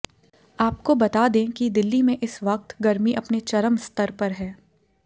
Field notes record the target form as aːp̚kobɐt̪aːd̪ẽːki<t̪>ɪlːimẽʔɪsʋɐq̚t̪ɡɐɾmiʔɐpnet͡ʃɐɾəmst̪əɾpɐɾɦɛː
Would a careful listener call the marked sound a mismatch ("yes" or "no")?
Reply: yes